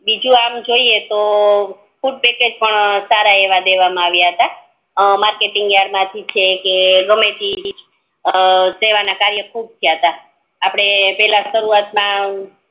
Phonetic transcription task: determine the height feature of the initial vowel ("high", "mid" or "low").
high